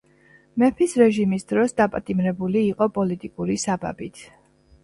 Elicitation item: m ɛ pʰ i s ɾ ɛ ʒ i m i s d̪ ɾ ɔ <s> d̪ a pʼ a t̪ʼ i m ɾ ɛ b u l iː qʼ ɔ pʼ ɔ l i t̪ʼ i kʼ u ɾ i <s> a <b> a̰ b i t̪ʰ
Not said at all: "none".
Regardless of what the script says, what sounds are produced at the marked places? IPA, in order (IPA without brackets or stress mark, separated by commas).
s, s, b